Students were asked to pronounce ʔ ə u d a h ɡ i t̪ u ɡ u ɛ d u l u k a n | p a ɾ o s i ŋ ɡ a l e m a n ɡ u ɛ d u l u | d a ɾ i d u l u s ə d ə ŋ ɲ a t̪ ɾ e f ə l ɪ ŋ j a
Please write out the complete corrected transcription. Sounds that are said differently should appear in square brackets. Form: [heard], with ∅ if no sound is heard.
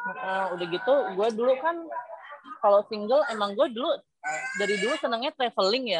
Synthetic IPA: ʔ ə u d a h ɡ i t̪ u ɡ u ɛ d u l u k a n | [k] a [l] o s i ŋ ɡ [ə] l e m a [ŋ] ɡ u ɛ d u l u | d a ɾ i d u l u s ə [n] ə ŋ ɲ a t̪ ɾ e f ə l ɪ ŋ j a